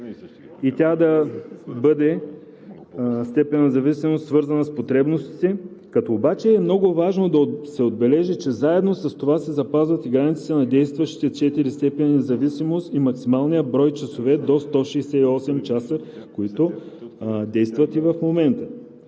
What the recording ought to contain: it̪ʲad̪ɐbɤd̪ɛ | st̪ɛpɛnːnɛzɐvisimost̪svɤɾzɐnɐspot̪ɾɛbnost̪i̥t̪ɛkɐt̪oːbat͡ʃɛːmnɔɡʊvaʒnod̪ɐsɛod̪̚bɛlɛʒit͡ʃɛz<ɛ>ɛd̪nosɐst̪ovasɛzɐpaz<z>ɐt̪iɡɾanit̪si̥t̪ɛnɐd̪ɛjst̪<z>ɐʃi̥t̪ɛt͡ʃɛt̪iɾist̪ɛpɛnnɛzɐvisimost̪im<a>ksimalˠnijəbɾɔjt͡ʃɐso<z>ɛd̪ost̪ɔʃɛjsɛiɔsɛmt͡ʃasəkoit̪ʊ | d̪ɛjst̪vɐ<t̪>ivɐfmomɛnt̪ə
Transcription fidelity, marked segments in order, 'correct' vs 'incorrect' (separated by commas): incorrect, incorrect, incorrect, incorrect, incorrect, correct